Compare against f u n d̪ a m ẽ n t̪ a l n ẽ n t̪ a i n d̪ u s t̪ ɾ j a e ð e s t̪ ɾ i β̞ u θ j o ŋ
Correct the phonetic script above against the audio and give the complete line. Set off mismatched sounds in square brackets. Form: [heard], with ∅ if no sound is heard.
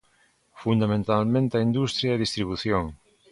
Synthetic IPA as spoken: f u n d̪ a m ẽ n t̪ a l [m] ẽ n t̪ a i n d̪ u s t̪ ɾ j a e ð [i] s t̪ ɾ i β̞ u θ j o ŋ